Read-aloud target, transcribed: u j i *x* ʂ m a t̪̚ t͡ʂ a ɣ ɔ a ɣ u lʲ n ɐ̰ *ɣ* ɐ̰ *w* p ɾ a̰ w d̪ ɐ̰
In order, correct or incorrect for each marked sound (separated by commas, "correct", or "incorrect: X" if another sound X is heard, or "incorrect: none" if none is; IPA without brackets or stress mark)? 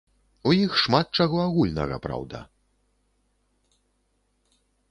correct, correct, incorrect: none